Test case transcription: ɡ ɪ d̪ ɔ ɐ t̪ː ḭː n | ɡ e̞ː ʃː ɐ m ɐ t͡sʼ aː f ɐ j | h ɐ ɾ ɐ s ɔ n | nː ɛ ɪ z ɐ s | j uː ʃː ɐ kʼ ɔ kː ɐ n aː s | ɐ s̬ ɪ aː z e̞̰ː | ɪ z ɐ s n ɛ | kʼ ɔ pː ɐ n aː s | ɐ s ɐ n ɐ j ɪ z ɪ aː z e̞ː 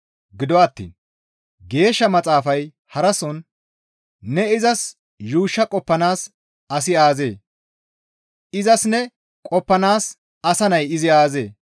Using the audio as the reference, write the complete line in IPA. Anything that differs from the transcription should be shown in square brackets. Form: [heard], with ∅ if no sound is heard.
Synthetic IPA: ɡ ɪ d̪ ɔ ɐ t̪ː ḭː n | ɡ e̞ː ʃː ɐ m ɐ t͡sʼ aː f ɐ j | h ɐ ɾ ɐ s ɔ n | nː ɛ ɪ z ɐ s | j uː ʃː ɐ kʼ ɔ [pː] ɐ n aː s | ɐ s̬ ɪ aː z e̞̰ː | ɪ z ɐ s n ɛ | kʼ ɔ pː ɐ n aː s | ɐ s ɐ n ɐ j ɪ z ɪ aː z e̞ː